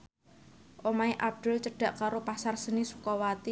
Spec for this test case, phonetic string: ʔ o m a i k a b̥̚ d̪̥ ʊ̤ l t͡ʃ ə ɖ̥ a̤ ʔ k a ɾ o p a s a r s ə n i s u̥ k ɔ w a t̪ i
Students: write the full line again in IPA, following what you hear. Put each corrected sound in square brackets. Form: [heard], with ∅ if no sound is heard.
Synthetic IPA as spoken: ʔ o m a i [ʔ] a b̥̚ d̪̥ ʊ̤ l t͡ʃ ə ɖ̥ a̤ ʔ k a ɾ o p a s a r s ə n i s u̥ k ɔ w a t̪ i